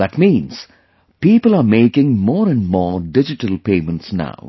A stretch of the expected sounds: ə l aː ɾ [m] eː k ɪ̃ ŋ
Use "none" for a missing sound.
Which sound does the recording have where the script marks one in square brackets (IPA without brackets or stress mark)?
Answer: m